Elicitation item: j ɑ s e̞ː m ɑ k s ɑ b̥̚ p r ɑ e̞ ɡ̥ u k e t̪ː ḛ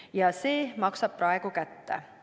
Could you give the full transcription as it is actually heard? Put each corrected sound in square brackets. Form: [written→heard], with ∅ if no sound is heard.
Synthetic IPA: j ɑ s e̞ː m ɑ k s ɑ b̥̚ p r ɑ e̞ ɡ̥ u k [e→æ] t̪ː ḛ